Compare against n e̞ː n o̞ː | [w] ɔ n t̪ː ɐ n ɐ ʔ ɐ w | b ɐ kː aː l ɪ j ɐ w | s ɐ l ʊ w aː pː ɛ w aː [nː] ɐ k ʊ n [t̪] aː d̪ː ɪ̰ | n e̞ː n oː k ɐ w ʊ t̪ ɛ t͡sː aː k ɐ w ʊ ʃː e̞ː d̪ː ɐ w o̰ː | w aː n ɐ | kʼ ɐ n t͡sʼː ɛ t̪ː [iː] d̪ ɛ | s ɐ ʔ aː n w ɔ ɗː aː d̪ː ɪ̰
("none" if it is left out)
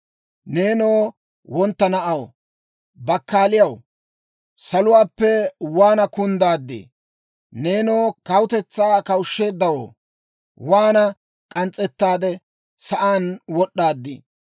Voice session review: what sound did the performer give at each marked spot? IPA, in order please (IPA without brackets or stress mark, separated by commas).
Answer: w, n, d̪, aː